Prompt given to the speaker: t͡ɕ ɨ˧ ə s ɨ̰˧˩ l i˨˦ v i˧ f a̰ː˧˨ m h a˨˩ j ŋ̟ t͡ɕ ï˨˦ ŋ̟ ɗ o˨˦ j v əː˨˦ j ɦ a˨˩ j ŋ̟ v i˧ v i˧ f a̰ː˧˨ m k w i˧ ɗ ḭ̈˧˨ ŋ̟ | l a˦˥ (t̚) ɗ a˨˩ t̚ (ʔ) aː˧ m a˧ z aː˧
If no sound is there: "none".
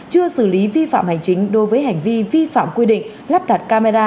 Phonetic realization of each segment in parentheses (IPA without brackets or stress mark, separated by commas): p̚, k